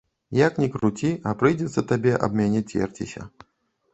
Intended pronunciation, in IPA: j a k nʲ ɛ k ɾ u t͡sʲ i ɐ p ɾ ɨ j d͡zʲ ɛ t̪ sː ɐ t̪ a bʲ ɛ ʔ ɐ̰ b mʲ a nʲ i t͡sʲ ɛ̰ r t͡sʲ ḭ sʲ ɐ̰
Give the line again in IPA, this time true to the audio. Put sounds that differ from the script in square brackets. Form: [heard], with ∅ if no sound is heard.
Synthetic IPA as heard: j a k nʲ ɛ k ɾ u t͡sʲ i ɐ p ɾ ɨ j d͡zʲ ɛ t̪ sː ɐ t̪ a bʲ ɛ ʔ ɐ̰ b mʲ a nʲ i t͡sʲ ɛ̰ r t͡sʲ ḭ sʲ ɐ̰